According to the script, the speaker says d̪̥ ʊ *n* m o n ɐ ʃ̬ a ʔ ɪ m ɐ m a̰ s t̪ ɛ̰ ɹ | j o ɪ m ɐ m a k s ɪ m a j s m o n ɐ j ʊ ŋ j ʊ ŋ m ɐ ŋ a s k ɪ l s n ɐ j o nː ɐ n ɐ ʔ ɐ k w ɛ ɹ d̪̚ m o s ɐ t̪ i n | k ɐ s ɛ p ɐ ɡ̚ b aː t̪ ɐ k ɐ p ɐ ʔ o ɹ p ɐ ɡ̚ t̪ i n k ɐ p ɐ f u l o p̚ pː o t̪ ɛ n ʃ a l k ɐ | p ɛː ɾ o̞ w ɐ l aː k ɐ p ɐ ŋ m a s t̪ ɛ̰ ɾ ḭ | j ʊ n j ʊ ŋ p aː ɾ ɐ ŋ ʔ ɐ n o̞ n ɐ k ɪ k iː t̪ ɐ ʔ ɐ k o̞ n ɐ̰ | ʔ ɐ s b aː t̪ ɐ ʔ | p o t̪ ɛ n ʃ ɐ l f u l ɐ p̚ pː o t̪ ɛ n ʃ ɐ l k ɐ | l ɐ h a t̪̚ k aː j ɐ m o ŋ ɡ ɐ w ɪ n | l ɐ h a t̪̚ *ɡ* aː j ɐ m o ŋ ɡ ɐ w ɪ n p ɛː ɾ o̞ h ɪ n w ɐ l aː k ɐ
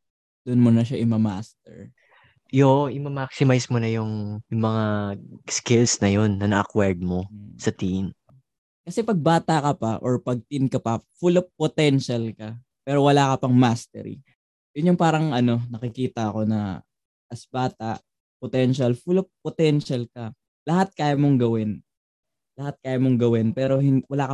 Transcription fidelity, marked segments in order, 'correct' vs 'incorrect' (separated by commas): correct, incorrect